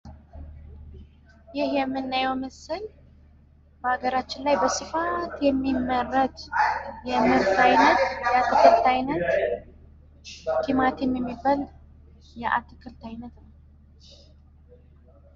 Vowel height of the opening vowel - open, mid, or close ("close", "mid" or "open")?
close